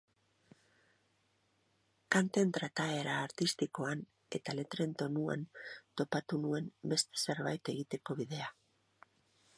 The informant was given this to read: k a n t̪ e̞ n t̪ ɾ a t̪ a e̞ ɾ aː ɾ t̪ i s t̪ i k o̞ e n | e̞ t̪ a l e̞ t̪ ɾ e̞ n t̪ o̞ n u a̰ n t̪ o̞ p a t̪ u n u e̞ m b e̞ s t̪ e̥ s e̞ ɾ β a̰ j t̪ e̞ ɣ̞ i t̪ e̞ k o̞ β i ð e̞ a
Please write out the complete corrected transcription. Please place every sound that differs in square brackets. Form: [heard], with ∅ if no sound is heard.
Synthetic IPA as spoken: k a n t̪ e̞ n t̪ ɾ a t̪ a e̞ ɾ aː ɾ t̪ i s t̪ i k o̞ [a] n | e̞ t̪ a l e̞ t̪ ɾ e̞ n t̪ o̞ n u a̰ n t̪ o̞ p a t̪ u n u e̞ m b e̞ s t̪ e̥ s e̞ ɾ β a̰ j t̪ e̞ ɣ̞ i t̪ e̞ k o̞ β i ð e̞ a